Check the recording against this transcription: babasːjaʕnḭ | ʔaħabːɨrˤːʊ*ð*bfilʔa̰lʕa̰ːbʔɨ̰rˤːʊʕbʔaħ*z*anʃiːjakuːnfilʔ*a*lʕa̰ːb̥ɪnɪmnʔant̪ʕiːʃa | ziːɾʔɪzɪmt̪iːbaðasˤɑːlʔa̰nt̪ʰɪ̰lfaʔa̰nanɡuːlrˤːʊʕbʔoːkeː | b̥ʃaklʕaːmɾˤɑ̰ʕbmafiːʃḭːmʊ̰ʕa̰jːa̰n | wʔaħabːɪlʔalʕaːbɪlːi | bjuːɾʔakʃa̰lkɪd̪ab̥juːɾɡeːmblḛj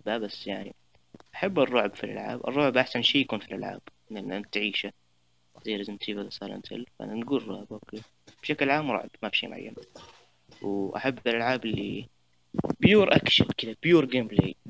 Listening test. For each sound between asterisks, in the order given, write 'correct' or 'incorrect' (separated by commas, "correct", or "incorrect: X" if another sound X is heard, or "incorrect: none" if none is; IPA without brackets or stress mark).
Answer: incorrect: ʕ, incorrect: s, correct